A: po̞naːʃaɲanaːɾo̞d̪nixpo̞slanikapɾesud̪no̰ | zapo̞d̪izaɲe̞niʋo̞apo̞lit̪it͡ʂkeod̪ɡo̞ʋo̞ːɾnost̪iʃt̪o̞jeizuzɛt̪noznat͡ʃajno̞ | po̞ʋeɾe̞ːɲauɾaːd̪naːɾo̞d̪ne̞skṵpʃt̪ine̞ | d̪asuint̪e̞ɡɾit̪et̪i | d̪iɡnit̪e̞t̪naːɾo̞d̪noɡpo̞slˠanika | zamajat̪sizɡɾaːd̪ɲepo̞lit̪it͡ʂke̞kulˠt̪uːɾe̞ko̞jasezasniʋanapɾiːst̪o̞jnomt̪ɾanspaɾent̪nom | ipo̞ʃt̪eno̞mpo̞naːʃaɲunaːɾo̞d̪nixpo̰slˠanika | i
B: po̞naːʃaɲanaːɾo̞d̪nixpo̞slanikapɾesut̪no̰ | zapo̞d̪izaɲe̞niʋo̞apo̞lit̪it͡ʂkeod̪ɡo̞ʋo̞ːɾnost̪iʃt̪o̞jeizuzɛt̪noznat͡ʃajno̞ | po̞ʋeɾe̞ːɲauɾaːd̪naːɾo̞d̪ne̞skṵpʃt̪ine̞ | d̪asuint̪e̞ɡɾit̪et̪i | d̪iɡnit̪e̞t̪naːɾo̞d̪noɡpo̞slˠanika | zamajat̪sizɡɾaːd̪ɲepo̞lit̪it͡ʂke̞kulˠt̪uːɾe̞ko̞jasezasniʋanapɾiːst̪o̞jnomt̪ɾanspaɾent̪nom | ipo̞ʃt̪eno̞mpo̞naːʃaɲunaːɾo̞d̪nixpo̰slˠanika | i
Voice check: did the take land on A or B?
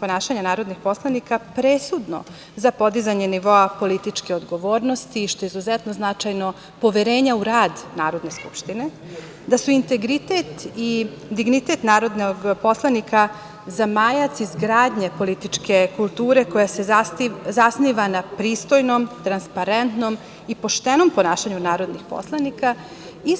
A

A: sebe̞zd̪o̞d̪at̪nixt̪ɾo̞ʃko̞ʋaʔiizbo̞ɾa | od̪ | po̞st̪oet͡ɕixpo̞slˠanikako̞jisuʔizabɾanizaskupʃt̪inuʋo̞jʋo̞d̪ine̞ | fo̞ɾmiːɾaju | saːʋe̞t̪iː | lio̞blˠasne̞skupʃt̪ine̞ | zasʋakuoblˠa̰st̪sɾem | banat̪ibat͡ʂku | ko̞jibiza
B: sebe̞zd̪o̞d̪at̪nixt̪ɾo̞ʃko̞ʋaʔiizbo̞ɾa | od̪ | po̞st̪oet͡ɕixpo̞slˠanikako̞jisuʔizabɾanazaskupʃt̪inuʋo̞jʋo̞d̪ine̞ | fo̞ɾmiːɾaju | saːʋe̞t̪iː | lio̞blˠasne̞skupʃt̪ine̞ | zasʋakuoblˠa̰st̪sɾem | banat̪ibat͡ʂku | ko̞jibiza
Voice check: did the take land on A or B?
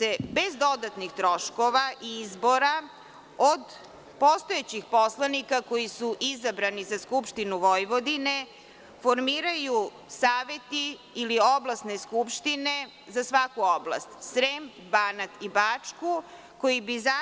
A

